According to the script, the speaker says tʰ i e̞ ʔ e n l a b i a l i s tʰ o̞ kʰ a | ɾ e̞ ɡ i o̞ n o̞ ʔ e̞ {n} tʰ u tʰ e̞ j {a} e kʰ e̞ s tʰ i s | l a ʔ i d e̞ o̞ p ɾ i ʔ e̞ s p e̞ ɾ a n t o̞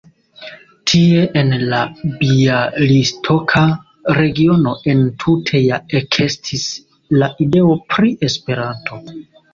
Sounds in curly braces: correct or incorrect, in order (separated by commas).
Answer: correct, correct